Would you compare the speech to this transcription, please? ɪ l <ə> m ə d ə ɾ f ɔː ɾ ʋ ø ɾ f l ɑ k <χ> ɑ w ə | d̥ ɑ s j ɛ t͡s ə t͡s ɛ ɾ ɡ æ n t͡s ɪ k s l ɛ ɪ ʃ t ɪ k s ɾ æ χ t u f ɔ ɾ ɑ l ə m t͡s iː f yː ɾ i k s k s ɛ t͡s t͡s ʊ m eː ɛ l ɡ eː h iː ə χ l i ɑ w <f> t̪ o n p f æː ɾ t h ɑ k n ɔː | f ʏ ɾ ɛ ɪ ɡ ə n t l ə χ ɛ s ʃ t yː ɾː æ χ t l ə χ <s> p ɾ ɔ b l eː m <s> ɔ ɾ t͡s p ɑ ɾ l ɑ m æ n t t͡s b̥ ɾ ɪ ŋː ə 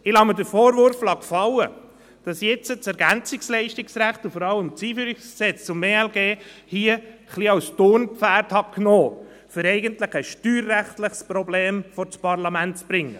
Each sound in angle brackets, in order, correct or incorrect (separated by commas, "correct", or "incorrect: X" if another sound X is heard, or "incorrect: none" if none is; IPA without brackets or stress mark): incorrect: ɑ, incorrect: f, incorrect: s, correct, incorrect: f